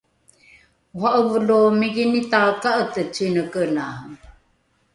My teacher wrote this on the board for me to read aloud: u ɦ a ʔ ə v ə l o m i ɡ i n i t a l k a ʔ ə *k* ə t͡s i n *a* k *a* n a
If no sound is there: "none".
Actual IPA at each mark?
t, ə, ə

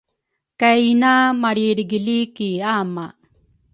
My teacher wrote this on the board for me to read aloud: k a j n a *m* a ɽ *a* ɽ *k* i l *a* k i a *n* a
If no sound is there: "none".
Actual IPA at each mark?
m, i, ɡ, i, m

